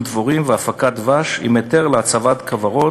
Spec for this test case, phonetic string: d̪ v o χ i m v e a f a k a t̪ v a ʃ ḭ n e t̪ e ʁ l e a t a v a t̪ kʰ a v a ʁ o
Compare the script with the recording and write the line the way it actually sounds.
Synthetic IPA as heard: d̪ v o ʁ i m v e a f a k a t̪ v a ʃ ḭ m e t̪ e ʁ l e a t͡s a v a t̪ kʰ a v a ʁ o